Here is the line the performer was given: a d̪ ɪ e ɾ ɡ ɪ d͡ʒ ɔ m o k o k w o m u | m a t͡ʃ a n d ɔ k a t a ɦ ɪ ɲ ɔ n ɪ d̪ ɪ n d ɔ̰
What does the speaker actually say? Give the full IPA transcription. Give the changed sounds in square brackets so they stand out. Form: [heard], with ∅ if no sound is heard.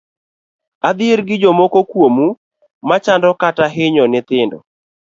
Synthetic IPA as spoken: a d̪ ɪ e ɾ ɡ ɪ d͡ʒ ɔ m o k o k w o m u | m a t͡ʃ a n d ɔ k a t a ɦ ɪ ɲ ɔ n ɪ [t̪] ɪ n d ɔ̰